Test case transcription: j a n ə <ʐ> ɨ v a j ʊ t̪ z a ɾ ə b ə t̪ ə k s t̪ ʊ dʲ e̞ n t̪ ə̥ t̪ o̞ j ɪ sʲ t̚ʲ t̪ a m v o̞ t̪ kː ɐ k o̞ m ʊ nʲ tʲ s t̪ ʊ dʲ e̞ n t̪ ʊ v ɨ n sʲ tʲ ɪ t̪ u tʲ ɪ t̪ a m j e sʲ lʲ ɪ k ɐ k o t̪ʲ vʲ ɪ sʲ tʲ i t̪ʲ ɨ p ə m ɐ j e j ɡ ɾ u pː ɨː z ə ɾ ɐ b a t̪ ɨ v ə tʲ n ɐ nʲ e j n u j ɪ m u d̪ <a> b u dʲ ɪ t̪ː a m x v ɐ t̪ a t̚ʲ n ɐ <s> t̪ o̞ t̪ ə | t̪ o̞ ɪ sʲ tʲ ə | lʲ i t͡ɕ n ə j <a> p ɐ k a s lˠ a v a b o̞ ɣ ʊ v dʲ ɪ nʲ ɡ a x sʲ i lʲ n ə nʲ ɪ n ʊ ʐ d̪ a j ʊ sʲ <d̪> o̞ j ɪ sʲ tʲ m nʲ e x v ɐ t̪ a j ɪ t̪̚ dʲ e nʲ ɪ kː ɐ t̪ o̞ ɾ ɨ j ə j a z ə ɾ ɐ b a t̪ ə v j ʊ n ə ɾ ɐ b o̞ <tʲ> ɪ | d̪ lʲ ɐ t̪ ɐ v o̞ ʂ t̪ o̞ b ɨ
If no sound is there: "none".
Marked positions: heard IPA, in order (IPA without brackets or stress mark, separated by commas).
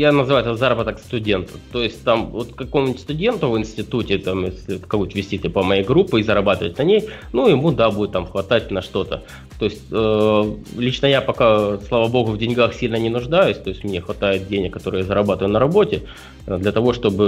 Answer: z, a, ʂ, a, t̪, tʲ